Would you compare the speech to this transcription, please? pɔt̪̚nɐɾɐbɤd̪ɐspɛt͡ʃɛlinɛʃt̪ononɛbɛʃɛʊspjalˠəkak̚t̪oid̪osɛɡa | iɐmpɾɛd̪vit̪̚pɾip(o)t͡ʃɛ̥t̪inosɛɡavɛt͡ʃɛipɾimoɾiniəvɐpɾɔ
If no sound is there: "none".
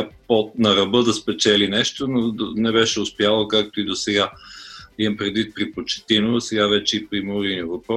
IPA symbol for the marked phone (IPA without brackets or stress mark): o